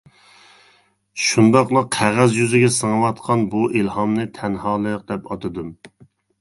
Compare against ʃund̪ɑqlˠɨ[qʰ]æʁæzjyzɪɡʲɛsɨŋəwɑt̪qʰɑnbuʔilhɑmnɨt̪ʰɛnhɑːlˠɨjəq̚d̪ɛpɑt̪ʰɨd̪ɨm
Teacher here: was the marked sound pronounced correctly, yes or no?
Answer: yes